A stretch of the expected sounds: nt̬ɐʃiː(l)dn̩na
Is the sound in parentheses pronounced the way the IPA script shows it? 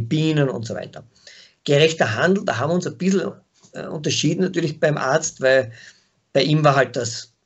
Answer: no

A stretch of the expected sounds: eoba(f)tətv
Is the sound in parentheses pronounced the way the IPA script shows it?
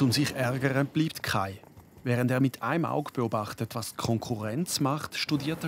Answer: no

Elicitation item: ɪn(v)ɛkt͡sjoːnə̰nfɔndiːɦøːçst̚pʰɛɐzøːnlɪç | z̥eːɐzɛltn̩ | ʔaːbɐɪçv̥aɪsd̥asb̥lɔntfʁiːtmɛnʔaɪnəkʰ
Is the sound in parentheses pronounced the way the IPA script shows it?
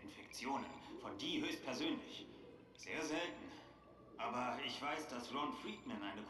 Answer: no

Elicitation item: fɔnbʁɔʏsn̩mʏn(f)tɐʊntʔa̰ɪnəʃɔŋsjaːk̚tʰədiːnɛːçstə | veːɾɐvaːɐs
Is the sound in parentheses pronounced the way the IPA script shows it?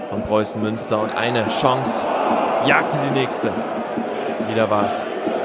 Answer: no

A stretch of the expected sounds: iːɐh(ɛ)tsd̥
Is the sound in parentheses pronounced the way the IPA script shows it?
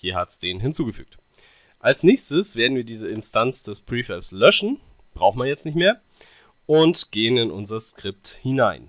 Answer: no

